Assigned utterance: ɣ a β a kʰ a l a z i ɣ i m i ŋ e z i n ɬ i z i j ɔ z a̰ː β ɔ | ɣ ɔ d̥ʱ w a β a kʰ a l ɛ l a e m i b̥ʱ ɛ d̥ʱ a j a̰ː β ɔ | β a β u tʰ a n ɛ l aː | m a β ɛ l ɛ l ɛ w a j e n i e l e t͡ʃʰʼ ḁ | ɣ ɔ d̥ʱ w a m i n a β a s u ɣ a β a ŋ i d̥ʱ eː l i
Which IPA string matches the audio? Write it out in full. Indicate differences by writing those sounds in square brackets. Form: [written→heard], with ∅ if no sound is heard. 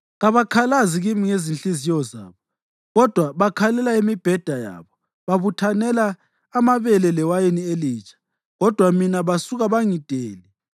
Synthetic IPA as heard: ɣ a β a kʰ a l a z i ɣ i m i ŋ e z i n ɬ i z i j ɔ z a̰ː β ɔ | ɣ ɔ d̥ʱ w a β a kʰ a l ɛ l a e m i b̥ʱ ɛ d̥ʱ a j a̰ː β ɔ | β a β u tʰ a n ɛ l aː | m a β ɛ l ɛ l ɛ w a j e n i e l [e→i] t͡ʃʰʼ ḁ | ɣ ɔ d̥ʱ w a m i n a β a s u ɣ a β a ŋ i d̥ʱ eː l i